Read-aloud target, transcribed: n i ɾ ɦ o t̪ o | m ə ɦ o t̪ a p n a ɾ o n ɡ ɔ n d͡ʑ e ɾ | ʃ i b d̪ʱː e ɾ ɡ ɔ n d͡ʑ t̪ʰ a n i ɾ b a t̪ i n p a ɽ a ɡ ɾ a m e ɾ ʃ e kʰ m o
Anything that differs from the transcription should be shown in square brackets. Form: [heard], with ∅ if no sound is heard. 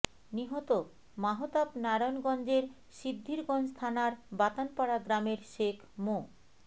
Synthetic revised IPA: n i [∅] ɦ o t̪ o | m [a] ɦ o t̪ a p n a ɾ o n ɡ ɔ n d͡ʑ e ɾ | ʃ i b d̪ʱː [i] ɾ ɡ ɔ n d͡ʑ t̪ʰ a n [a] ɾ b a t̪ [a] n p a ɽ a ɡ ɾ a m e ɾ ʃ e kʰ m o

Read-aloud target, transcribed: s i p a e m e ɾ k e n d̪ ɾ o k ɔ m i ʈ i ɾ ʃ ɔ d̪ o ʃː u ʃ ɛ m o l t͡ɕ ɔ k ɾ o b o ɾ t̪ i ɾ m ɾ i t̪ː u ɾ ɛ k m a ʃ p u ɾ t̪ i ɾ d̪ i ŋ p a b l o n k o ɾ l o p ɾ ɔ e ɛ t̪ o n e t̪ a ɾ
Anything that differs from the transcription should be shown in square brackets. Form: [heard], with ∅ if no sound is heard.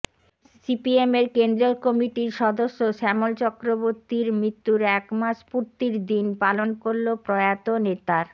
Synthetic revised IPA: s i p [i] e m e ɾ k e n d̪ ɾ o k ɔ m i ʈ i ɾ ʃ ɔ d̪ o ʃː [o] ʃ ɛ m o l t͡ɕ ɔ k ɾ o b o ɾ t̪ i ɾ m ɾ i t̪ː u ɾ ɛ k m a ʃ p u ɾ t̪ i ɾ d̪ i [n] p a [∅] l o n k o ɾ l o p ɾ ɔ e [a] t̪ o n e t̪ a ɾ

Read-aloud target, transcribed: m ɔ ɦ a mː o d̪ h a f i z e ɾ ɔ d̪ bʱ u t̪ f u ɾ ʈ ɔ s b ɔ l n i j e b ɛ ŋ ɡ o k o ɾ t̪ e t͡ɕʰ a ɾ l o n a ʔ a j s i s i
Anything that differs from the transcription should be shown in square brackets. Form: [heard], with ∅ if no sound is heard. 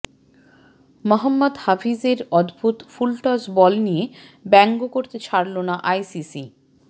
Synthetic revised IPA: m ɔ ɦ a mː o d̪ h a f i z e ɾ ɔ d̪ bʱ u t̪ f u [l] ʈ ɔ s b ɔ l n i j e b ɛ ŋ ɡ o k o ɾ t̪ e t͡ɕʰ a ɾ l o n a ʔ a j s i s i

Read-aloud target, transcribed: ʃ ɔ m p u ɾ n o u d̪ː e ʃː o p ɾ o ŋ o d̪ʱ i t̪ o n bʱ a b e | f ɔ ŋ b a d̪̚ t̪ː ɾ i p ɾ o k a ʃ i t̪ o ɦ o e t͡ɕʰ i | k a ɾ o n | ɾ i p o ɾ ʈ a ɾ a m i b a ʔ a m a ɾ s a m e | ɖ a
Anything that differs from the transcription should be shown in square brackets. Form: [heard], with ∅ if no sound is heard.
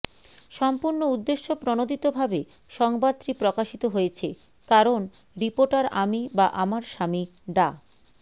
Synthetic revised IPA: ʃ ɔ m p u ɾ n o u d̪ː e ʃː o p ɾ o [n] o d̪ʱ i t̪ o [∅] bʱ a b e | [ʃ] ɔ ŋ b a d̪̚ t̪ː ɾ i p ɾ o k a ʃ i t̪ o ɦ o e t͡ɕʰ [e] | k a ɾ o n | ɾ i p o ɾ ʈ a ɾ a m i b a ʔ a m a ɾ [ʃ] a m [i] | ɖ a

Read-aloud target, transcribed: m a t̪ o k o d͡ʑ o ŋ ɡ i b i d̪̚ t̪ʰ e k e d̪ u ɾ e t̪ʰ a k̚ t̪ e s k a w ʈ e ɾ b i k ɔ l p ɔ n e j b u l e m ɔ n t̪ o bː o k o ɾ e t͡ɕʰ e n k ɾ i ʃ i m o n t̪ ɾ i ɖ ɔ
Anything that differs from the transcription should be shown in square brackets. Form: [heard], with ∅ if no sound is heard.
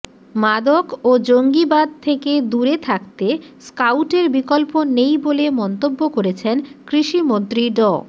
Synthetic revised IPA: m a [d̪] o k o d͡ʑ o ŋ ɡ i b [a] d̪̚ t̪ʰ e k e d̪ u ɾ e t̪ʰ a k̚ t̪ e s k a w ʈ e ɾ b i k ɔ l p [o] n e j b [o] l e m ɔ n t̪ o bː o k o ɾ e t͡ɕʰ e n k ɾ i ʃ i m o n t̪ ɾ i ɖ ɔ

